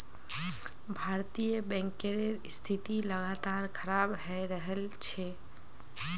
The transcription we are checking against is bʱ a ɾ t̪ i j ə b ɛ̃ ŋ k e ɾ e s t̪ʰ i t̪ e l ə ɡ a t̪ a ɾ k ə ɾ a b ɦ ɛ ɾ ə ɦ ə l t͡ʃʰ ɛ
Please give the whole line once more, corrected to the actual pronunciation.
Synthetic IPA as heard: bʱ a ɾ t̪ i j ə b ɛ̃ ŋ k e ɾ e s t̪ʰ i t̪ i l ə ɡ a t̪ a ɾ kʰ ə ɾ a b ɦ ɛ ɾ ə ɦ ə l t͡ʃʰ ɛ

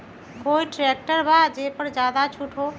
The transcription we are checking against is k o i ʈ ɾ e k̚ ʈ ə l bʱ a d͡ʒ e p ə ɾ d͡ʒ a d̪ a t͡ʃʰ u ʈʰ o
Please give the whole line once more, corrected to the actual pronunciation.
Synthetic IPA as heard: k o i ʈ ɾ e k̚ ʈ ə ɾ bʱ a d͡ʒ e p ə ɾ d͡ʒ a d̪ a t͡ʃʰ u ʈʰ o

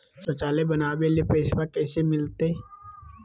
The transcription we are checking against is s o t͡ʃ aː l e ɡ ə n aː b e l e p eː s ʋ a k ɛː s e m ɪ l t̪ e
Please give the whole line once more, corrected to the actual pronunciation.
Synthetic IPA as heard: s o t͡ʃ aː l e b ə n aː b e l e p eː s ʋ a k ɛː s e m ɪ l t̪ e

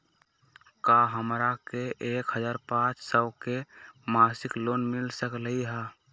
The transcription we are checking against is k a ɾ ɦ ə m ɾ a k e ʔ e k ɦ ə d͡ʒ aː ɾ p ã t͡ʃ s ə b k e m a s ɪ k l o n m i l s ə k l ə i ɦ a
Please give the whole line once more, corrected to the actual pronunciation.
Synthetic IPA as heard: k a ɦ ə m ɾ a k e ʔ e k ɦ ə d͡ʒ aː ɾ p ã t͡ʃ s ə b k e m a s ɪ k l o n m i l s ə k l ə i ɦ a

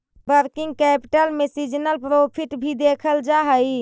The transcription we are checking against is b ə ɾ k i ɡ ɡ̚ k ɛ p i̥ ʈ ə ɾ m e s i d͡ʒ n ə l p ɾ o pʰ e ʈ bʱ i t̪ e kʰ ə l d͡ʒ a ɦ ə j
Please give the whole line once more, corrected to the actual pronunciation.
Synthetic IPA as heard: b ə ɾ k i ŋ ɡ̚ k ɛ p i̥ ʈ ə l m e s i d͡ʒ n ə l p ɾ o pʰ i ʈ bʱ i d̪ e kʰ ə l d͡ʒ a ɦ ə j

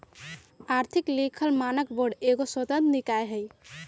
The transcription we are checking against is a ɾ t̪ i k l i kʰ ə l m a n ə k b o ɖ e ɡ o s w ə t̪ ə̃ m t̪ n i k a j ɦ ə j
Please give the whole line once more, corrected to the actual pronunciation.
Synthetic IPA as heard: a ɾ t̪ʰ i k l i kʰ ə l m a n ə k b o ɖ e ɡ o s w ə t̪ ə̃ n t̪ n i k a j ɦ ə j

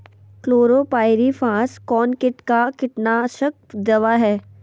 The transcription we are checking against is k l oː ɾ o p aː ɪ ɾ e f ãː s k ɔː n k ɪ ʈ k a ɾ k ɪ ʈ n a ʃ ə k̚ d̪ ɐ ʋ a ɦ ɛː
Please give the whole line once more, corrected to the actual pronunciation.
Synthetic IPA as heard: k l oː ɾ o p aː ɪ ɾ i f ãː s k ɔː n k ɪ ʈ k a k ɪ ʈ n a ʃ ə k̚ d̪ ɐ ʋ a ɦ ɛː

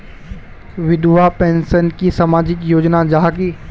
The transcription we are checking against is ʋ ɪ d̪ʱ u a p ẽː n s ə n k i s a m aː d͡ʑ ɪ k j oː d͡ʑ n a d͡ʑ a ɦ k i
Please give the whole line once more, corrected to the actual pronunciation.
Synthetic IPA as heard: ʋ ɪ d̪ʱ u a p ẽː n s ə n k i s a m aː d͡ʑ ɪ k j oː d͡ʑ n a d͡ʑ a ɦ k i

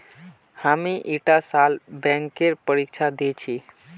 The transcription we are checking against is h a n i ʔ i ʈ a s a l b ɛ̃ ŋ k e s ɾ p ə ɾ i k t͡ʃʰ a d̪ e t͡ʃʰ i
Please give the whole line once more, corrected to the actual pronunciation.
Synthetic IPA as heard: h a m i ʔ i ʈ a s a l b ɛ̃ ŋ k e ɾ p ə ɾ i k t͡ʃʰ a d̪ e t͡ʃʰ i

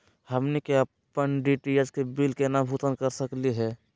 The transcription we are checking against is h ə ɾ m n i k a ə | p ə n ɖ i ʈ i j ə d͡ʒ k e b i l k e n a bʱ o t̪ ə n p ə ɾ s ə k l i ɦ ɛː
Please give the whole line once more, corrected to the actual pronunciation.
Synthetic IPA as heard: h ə m n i k e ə | p ə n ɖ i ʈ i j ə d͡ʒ k e b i l k e n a bʱ u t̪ ə n k ə ɾ s ə k l i ɦ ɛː

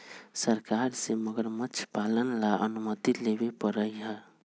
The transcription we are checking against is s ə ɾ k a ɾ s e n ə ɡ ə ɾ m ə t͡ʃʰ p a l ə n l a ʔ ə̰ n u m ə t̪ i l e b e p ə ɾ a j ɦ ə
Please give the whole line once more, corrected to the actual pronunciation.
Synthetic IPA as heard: s ə ɾ k a ɾ s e m ə ɡ ə ɾ m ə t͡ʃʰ p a l ə n l a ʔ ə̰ n u m ə t̪ i l e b e p ə ɾ ə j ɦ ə

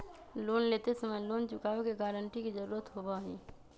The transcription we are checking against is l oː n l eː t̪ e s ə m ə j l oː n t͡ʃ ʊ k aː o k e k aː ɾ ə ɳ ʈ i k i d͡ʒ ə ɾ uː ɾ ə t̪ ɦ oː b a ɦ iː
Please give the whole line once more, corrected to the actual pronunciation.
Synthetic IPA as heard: l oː n l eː t̪ e s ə m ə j l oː n t͡ʃ ʊ k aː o k e ɡ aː ɾ ə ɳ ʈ i k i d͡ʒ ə ɾ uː ɾ ə t̪ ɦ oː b a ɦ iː

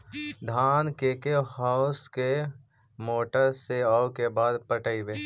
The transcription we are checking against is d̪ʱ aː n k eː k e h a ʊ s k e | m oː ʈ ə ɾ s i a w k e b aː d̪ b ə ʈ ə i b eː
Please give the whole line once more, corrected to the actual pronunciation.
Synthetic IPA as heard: d̪ʱ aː n k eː k e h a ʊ s k e | m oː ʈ ə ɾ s e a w k e b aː d̪ p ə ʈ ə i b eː

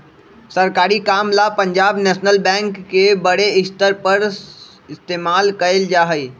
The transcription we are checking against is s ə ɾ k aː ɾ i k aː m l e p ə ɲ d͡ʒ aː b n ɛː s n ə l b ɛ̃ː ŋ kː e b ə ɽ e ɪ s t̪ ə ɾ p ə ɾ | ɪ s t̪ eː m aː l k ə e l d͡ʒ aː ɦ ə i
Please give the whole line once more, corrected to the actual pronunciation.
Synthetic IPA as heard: s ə ɾ k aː ɾ i k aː m l a p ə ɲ d͡ʒ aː b n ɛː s n ə l b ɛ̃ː ŋ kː e b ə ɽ e ɪ s t̪ ə ɾ p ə ɾ | ɪ s t̪ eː m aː l k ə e l d͡ʒ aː ɦ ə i

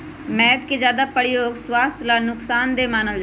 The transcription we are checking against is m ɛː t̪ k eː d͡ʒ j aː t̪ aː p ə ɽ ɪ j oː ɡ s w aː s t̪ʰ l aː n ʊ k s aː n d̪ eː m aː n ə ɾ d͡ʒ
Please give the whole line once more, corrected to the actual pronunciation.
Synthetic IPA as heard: m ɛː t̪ k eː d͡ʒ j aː d̪ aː p ə ɽ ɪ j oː ɡ s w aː s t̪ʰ l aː n ʊ k s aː n d̪ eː m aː n ə l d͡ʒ

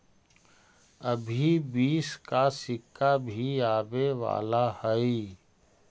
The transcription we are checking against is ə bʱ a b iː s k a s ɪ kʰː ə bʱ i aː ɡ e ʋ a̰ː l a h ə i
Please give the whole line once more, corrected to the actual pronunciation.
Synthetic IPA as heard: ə bʱ i b iː s k a s ɪ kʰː a bʱ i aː b e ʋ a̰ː l a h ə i

